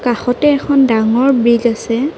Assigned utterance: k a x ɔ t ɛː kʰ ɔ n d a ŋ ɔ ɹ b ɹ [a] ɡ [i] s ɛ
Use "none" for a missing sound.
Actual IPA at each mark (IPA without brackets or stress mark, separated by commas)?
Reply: i, a